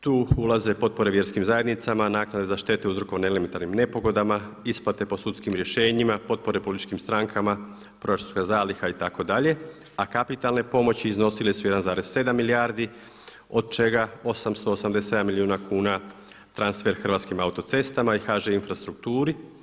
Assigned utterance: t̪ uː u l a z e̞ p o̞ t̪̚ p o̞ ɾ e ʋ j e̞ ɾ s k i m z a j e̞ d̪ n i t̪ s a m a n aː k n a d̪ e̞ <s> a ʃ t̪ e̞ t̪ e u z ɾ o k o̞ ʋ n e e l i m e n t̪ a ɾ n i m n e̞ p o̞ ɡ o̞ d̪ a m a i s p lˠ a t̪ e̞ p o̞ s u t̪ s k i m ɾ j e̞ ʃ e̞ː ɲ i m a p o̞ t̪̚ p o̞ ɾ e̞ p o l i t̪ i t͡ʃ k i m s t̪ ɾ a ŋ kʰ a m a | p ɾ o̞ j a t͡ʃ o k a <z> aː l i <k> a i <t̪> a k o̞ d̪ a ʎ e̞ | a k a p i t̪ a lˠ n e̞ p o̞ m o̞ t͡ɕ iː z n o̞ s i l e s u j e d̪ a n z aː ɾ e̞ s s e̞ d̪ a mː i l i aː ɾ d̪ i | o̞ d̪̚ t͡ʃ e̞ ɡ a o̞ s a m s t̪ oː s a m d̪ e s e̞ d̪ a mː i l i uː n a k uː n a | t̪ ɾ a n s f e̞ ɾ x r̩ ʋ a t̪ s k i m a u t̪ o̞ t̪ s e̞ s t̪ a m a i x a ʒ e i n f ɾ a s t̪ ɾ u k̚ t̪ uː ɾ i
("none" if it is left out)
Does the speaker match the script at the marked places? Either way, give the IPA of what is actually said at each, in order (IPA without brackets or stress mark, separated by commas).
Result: z, z, x, t̪